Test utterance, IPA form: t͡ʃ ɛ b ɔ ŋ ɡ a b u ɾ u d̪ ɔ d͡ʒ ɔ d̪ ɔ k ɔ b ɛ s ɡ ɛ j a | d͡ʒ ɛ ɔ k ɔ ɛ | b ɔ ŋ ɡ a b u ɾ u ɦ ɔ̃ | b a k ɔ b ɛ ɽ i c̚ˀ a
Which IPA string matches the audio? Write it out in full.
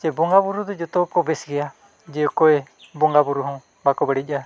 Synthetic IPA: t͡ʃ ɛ b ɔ ŋ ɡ a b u ɾ u d̪ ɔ d͡ʒ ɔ t̪ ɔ k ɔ b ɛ s ɡ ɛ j a | d͡ʒ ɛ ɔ k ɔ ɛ | b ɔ ŋ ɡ a b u ɾ u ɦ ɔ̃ | b a k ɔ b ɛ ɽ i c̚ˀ a